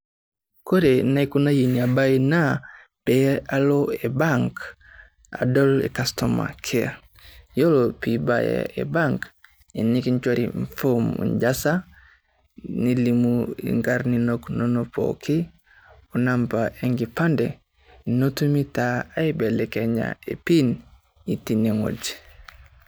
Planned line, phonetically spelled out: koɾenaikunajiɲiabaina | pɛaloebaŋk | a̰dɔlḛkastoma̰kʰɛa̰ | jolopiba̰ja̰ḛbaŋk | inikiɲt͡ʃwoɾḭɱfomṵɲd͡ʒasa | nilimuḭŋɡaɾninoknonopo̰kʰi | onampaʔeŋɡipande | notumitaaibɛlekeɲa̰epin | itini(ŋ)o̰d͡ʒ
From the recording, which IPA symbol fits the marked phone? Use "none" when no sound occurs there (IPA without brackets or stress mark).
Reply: ŋ